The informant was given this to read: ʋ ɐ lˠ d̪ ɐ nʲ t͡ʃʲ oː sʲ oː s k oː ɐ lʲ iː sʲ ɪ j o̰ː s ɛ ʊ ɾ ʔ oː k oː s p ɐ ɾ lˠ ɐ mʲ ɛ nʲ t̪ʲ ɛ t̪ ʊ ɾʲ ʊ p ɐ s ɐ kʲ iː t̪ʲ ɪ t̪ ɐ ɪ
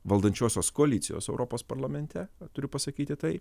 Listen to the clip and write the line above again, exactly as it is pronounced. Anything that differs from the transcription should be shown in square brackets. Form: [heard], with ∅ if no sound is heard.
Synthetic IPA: ʋ ɐ lˠ d̪ ɐ nʲ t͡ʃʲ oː sʲ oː s k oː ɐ lʲ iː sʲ ɪ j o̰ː s ɛ ʊ ɾ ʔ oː [p] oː s p ɐ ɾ lˠ ɐ mʲ ɛ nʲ t̪ʲ ɛ t̪ ʊ ɾʲ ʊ p ɐ s ɐ kʲ iː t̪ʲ ɪ t̪ ɐ ɪ